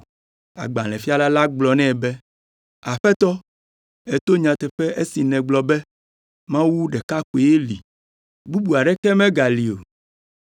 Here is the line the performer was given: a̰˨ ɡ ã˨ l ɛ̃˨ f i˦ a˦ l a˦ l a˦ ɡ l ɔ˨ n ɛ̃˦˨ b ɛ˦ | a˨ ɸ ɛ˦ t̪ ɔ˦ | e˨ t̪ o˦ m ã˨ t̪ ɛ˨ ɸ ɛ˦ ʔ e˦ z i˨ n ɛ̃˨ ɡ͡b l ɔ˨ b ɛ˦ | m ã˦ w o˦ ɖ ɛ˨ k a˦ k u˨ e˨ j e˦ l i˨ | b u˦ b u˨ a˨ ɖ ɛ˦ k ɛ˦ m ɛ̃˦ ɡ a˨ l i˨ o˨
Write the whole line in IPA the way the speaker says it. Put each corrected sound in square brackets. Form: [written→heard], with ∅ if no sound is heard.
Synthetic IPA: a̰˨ [ɡ→ɡ͡b] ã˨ l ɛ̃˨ f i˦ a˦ l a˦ l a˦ [ɡ→ɡ͡b] l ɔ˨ n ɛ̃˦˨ b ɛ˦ | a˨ ɸ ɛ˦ t̪ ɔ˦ | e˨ t̪ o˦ [m→ɲ] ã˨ t̪ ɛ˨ ɸ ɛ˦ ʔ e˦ [z→s] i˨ n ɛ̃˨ ɡ͡b l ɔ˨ b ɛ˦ | m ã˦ w [o˦→u˦] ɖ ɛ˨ k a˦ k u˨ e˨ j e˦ l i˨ | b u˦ b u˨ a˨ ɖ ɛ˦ k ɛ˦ m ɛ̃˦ ɡ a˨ l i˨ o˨